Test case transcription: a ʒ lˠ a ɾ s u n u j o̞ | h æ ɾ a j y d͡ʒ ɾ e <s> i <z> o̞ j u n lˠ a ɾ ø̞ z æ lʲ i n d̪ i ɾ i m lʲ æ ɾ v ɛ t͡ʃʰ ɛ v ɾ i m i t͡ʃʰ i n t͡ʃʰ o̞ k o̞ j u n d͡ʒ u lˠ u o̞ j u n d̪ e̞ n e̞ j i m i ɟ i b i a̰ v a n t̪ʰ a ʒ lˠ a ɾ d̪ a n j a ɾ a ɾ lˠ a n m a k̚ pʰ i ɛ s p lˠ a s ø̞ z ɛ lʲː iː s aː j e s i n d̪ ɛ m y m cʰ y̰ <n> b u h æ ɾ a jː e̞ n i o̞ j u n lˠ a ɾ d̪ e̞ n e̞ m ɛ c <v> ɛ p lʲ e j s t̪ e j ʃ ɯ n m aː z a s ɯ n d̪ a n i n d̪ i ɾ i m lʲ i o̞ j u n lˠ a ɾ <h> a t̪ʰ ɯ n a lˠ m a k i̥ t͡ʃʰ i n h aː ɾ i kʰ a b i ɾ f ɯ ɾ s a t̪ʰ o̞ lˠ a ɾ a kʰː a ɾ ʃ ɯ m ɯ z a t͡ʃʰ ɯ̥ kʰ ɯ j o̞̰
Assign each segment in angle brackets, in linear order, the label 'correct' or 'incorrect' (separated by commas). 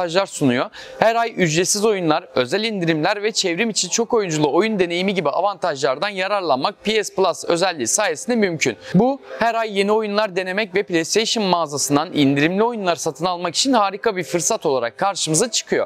correct, correct, correct, correct, incorrect